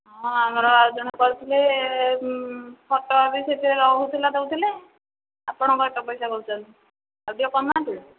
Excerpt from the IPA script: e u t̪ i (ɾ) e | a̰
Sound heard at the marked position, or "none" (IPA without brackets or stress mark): l